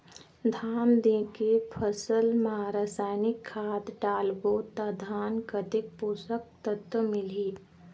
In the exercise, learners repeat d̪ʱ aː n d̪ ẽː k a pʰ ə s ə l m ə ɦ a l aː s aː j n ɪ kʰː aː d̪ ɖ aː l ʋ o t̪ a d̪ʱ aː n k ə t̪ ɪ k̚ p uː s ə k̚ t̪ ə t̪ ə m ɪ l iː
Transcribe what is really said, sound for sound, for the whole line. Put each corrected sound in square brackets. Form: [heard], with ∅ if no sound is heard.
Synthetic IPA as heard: d̪ʱ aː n d̪ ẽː k [e] pʰ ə s ə l m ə ɦ a [ɾ] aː s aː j n ɪ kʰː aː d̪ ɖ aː l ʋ o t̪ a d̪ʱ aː n k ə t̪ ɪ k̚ p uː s ə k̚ t̪ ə t̪ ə m ɪ l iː